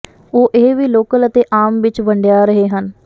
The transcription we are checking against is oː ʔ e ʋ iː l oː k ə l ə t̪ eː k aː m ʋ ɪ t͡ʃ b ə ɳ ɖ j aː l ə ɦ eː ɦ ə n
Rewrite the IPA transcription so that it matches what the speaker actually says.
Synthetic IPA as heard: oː ʔ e ʋ iː l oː k ə l ə t̪ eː ʔ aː m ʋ ɪ t͡ʃ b ə ɳ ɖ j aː ɾ ə ɦ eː ɦ ə n